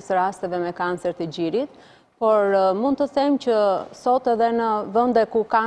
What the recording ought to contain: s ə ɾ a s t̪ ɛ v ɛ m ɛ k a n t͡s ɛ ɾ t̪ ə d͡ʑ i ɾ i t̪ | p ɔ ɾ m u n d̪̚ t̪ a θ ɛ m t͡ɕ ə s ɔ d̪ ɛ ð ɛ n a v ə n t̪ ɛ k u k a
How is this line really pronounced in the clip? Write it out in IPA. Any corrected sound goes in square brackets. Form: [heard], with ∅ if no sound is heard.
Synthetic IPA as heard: s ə ɾ a s t̪ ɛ v ɛ m ɛ k a n t͡s ɛ ɾ t̪ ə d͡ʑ i ɾ i t̪ | p ɔ ɾ m u n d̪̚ t̪ [ə] θ ɛ m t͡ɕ ə s ɔ [t̪] ɛ ð ɛ n [ə] v ə n [d̪] ɛ k u k a